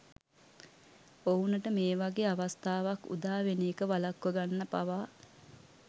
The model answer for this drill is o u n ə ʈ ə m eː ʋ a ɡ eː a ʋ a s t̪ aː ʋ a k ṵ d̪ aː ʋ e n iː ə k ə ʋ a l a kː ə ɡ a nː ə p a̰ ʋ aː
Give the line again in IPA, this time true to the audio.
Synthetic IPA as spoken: o u n ə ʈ ə m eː ʋ a ɡ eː a ʋ a s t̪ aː ʋ a k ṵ d̪ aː ʋ e n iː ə k ə ʋ a l a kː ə ɡ a nː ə p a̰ ʋ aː